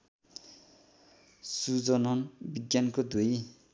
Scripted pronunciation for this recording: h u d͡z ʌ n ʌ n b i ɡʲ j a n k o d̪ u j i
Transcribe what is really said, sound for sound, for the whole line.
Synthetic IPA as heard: s u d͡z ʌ n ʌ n b i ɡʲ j a n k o d̪ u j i